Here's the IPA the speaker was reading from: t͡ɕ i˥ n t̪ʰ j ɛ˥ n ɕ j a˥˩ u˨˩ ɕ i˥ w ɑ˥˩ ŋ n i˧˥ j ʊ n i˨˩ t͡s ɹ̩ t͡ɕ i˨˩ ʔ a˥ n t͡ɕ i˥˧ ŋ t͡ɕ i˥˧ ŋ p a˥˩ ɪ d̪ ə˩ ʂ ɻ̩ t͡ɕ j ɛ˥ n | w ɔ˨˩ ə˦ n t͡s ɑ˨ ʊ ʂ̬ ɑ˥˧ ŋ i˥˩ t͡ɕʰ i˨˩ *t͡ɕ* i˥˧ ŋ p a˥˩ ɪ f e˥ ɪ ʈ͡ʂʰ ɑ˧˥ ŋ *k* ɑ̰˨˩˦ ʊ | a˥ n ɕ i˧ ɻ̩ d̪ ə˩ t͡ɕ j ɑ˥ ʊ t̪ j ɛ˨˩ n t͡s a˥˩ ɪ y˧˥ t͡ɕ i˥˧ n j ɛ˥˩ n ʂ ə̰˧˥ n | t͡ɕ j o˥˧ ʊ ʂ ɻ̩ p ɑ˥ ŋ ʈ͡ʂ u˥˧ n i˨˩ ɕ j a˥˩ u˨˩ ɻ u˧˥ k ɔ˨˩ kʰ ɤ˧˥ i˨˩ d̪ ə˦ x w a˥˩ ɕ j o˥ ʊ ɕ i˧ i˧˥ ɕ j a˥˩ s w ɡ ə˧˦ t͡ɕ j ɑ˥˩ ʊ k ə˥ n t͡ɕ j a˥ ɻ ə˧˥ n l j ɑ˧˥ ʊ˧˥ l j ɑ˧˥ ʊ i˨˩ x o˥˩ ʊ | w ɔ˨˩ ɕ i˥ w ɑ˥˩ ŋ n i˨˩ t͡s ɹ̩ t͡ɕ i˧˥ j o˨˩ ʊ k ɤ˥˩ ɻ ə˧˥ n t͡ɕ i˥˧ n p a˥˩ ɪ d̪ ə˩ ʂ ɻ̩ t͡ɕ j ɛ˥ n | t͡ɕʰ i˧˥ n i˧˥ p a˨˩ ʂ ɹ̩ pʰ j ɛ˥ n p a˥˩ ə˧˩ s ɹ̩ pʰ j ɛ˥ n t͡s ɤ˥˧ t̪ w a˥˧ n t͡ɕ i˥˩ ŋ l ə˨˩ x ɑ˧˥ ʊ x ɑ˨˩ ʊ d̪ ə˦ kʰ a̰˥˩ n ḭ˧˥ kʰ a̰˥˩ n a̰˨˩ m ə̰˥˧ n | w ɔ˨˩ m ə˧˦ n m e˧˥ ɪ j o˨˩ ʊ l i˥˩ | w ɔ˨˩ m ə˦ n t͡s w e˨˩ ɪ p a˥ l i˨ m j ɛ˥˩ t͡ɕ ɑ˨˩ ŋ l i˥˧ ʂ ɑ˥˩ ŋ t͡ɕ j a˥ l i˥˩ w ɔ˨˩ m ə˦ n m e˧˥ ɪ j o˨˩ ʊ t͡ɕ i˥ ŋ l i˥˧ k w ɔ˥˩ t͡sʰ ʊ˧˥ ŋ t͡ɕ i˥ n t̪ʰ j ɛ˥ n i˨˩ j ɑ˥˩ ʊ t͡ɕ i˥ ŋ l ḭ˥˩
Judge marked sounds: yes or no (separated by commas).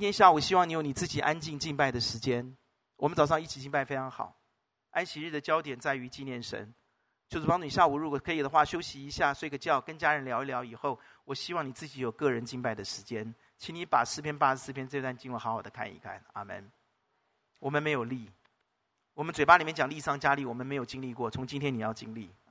yes, no